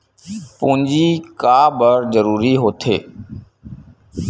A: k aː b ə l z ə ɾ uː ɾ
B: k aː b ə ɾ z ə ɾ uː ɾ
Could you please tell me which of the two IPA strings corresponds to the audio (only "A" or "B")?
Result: B